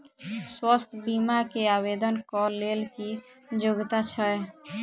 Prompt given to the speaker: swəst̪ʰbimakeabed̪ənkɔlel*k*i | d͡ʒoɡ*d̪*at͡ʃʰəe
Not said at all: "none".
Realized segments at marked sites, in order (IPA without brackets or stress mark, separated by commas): k, t̪